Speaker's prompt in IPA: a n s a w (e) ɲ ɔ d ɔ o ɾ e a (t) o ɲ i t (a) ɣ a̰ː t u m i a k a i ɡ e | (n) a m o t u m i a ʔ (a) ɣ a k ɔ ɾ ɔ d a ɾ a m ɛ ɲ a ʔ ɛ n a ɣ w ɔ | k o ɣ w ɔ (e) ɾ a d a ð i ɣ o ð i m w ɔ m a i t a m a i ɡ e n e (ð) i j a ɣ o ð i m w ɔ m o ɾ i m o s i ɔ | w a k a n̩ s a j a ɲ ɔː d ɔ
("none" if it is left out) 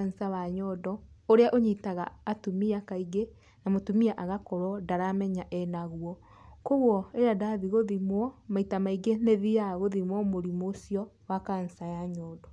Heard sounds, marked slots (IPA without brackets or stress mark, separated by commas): a, ʔ, a, n, a, e, ð